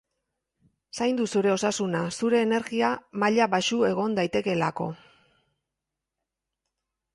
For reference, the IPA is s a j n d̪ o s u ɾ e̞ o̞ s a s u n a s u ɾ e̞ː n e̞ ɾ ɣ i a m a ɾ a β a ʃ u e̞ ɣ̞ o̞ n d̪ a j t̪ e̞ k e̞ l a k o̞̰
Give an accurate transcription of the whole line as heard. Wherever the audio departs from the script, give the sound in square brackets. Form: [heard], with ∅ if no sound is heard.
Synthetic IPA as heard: s a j n d̪ [u] s u ɾ e̞ o̞ s a s u n a s u ɾ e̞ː n e̞ ɾ ɣ i a m a [ʎ] a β a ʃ u e̞ ɣ̞ o̞ n d̪ a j t̪ e̞ k e̞ l a k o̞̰